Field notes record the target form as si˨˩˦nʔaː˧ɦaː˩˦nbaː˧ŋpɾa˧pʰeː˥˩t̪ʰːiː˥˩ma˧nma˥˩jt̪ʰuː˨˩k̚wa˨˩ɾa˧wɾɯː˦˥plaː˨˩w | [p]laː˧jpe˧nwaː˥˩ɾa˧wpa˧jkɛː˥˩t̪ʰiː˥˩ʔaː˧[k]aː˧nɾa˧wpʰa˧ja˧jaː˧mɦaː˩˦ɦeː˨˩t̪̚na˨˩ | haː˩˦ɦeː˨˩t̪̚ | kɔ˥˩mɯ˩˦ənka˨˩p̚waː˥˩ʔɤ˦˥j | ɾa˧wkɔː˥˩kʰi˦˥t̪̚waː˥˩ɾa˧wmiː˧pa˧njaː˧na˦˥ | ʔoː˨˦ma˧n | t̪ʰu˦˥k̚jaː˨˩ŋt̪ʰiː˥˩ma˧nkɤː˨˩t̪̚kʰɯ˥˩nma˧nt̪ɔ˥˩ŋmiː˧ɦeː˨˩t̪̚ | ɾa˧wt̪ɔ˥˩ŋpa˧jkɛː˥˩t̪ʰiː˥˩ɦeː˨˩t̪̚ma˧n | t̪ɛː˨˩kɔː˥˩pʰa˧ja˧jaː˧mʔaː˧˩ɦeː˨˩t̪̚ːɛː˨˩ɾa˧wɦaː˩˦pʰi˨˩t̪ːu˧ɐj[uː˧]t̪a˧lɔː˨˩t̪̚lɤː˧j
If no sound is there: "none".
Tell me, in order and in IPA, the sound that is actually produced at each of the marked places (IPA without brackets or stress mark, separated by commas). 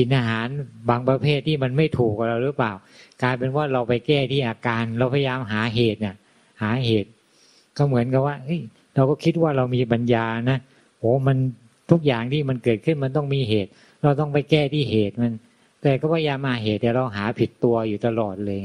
k, k, uː˨˩